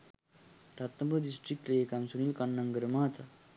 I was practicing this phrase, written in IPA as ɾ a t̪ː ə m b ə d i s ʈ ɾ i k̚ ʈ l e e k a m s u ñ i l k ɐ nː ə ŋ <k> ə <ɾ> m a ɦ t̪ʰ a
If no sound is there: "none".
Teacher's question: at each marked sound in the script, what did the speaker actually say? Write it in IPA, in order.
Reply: ɡ, ɾ

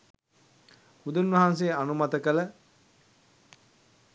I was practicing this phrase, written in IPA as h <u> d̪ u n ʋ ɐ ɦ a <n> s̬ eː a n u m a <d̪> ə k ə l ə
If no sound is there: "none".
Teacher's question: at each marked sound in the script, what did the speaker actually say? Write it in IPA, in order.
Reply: u, n, t̪

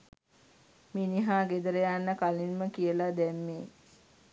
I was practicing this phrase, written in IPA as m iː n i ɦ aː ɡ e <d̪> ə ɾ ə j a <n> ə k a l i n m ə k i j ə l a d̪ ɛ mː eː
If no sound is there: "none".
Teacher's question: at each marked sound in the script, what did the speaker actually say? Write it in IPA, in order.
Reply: d̪, nː

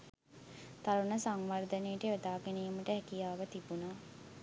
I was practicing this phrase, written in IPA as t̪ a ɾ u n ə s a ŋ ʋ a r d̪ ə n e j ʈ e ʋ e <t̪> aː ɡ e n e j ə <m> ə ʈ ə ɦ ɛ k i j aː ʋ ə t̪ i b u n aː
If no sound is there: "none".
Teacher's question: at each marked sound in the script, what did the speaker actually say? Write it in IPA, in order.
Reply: d̪, m

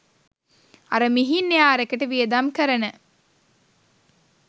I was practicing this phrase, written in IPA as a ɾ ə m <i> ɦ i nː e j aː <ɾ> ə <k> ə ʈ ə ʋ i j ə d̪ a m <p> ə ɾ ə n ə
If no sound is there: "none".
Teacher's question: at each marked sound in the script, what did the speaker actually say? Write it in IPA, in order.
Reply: i, ɾ, k, k

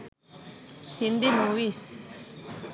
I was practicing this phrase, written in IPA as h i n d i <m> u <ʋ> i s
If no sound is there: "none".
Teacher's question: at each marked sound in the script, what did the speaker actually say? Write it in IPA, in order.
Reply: m, w

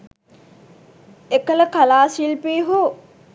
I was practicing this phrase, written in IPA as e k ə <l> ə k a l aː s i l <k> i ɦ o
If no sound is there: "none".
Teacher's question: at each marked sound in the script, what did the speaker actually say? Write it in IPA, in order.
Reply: l, p

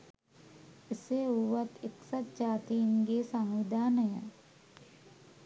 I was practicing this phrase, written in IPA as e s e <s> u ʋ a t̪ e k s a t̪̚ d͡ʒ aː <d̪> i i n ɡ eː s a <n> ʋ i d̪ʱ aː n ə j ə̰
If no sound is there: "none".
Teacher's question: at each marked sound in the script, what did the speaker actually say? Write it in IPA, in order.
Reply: none, t̪, ŋ

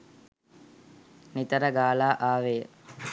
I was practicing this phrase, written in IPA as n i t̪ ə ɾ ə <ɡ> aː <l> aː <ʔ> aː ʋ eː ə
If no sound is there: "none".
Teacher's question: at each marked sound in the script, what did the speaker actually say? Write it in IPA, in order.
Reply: ɡ, l, ʔ

